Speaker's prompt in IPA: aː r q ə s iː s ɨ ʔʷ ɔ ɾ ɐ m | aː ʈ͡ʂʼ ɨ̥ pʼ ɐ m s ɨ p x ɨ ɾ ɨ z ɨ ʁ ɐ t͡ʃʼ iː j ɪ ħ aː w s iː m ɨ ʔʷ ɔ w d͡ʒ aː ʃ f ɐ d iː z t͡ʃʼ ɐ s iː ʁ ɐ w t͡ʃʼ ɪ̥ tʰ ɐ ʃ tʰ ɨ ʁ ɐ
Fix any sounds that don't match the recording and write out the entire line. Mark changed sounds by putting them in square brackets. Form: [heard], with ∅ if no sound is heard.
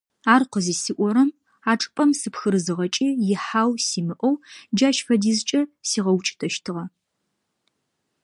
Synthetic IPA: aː r q ə [z] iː s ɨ ʔʷ ɔ ɾ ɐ m | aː ʈ͡ʂʼ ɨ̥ pʼ ɐ m s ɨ p x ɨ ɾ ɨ z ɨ ʁ ɐ t͡ʃʼ iː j ɪ ħ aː w s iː m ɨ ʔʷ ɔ w d͡ʒ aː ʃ f ɐ d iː z t͡ʃʼ ɐ s iː ʁ ɐ w t͡ʃʼ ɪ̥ tʰ ɐ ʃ tʰ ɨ ʁ ɐ

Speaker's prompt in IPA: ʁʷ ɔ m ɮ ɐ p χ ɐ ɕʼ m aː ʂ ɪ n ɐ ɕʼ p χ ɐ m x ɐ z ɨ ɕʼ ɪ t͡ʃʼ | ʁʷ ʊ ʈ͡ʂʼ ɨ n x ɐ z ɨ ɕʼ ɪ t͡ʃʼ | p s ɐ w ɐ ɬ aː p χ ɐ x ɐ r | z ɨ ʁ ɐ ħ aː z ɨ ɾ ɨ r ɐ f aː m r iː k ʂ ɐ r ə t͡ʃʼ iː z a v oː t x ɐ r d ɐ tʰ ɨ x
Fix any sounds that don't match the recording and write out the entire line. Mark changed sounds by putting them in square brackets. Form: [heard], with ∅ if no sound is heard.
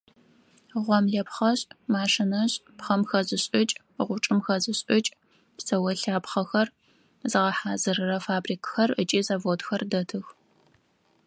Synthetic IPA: ʁʷ ɔ m ɮ ɐ p χ ɐ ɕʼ m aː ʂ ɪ n ɐ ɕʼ p χ ɐ m x ɐ z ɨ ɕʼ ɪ t͡ʃʼ | ʁʷ ʊ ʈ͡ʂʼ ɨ [m] x ɐ z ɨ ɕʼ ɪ t͡ʃʼ | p s ɐ w ɐ ɬ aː p χ ɐ x ɐ r | z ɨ ʁ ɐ ħ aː z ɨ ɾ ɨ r ɐ f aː [b] r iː k [x] ɐ r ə t͡ʃʼ iː z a v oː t x ɐ r d ɐ tʰ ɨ x

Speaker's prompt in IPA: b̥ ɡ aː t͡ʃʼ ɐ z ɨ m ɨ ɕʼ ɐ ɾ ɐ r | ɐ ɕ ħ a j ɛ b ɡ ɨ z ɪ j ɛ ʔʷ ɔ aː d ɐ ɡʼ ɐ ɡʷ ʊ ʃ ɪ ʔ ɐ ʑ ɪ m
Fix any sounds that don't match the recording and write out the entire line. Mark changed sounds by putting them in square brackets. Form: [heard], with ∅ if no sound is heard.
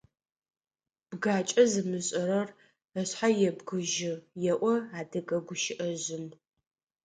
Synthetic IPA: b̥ ɡ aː t͡ʃʼ ɐ z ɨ m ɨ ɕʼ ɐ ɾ ɐ r | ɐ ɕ ħ a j ɛ b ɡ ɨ [ʒ] ɪ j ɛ ʔʷ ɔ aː d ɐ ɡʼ ɐ ɡʷ ʊ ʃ ɪ ʔ ɐ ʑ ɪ m

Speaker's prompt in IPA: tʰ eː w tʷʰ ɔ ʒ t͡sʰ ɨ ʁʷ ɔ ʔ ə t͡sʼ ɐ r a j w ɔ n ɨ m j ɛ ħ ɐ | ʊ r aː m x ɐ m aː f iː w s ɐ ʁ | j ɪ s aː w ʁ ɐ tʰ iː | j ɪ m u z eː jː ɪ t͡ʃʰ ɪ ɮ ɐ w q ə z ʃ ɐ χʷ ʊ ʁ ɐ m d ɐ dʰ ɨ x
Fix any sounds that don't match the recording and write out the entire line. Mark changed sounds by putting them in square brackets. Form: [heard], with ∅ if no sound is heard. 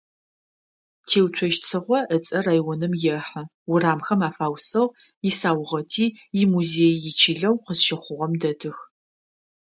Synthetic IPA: tʰ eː w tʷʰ ɔ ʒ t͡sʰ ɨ ʁʷ ɔ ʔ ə t͡sʼ ɐ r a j w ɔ n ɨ m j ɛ ħ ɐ | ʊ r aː m x ɐ m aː f [aː] w s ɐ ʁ | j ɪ s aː w ʁ ɐ tʰ iː | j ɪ m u z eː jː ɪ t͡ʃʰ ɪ ɮ ɐ w q ə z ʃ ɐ χʷ ʊ ʁ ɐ m d ɐ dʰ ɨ x

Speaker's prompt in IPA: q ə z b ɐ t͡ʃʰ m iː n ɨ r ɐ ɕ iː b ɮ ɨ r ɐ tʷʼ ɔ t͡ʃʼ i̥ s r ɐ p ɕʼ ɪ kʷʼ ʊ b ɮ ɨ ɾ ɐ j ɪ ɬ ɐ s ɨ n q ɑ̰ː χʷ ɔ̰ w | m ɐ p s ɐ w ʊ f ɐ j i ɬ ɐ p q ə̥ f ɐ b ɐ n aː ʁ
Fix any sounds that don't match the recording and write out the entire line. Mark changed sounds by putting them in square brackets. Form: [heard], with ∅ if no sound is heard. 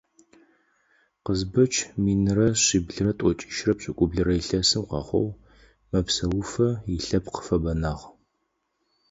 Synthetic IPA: q ə z b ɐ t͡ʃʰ m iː n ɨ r ɐ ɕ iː b ɮ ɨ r ɐ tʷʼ ɔ t͡ʃʼ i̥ [ʃ] r ɐ p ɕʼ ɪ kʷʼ ʊ b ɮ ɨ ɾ ɐ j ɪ ɬ ɐ s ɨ [m] q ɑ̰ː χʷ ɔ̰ w | m ɐ p s ɐ w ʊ f ɐ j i ɬ ɐ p q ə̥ f ɐ b ɐ n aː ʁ

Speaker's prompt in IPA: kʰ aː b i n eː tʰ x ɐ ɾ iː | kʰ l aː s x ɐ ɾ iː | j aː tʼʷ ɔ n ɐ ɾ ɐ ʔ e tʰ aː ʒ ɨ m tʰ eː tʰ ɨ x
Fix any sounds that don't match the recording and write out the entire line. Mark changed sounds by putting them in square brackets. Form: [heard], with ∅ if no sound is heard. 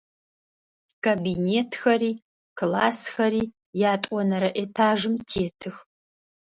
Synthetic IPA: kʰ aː b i n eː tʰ x ɐ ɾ iː | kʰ l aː s x ɐ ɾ iː | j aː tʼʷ ɔ n ɐ ɾ ɐ ʔ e tʰ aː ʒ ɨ m tʰ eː tʰ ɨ x

